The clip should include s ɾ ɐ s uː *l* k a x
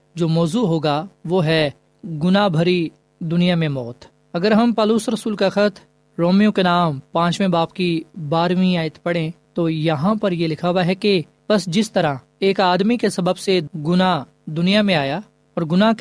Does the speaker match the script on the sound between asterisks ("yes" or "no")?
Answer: yes